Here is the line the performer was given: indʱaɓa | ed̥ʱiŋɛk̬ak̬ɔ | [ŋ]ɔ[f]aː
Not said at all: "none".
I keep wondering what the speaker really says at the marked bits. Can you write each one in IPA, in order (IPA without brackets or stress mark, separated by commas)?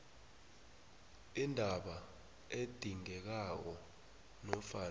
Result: n, f